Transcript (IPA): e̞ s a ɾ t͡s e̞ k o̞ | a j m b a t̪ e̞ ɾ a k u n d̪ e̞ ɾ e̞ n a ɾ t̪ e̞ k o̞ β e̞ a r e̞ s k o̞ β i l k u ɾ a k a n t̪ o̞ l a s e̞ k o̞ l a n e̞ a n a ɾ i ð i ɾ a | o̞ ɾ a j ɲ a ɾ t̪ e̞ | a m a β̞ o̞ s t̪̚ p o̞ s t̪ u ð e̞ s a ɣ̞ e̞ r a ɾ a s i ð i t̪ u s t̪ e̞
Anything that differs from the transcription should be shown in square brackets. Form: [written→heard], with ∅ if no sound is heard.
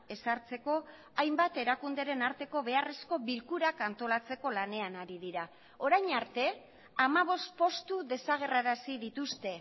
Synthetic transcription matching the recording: e̞ s a ɾ t͡s e̞ k o̞ | a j m b a t̪ e̞ ɾ a k u n d̪ e̞ ɾ e̞ n a ɾ t̪ e̞ k o̞ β e̞ a r e̞ s k o̞ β i l k u ɾ a k a n t̪ o̞ l a [s→t͡s] e̞ k o̞ l a n e̞ a n a ɾ i ð i ɾ a | o̞ ɾ a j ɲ a ɾ t̪ e̞ | a m a β̞ o̞ s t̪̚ p o̞ s t̪ u ð e̞ s a ɣ̞ e̞ r a ɾ a s i ð i t̪ u s t̪ e̞